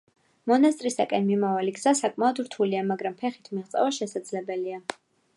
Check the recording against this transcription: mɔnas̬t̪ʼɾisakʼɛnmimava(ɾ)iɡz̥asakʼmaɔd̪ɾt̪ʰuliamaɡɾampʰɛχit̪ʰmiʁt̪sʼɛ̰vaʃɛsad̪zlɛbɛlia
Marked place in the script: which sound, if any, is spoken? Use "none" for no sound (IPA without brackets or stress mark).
l